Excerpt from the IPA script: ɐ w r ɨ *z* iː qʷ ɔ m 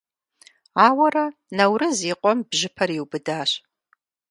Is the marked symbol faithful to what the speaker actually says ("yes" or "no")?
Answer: yes